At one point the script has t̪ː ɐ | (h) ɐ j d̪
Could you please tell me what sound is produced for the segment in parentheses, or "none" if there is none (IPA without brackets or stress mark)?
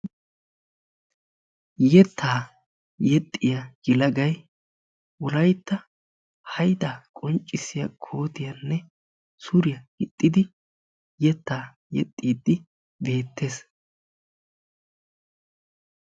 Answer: h